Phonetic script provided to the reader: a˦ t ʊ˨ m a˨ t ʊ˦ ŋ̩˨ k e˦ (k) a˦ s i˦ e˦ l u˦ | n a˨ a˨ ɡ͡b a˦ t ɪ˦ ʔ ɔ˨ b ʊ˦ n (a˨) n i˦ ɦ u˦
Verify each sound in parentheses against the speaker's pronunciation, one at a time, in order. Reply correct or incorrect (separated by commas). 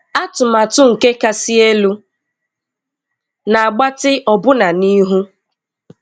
correct, correct